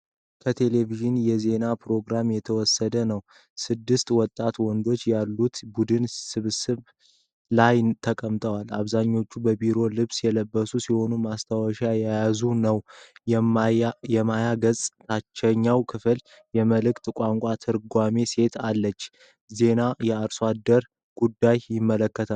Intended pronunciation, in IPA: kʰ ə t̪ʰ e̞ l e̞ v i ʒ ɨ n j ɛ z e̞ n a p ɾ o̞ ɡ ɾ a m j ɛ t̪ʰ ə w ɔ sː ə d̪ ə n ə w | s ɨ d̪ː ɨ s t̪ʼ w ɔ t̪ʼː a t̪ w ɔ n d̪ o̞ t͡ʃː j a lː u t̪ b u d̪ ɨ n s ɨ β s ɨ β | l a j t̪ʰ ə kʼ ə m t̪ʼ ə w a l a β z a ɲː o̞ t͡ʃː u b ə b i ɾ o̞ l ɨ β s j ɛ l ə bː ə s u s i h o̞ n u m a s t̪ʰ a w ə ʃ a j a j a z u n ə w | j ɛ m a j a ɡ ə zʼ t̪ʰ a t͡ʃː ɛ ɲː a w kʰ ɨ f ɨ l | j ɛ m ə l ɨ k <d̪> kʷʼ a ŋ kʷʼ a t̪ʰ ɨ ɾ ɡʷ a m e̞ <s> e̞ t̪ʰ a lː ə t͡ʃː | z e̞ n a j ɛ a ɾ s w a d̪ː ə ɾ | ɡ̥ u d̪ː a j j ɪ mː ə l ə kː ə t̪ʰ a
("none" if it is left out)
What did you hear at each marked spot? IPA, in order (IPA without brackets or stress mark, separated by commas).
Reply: t̪, s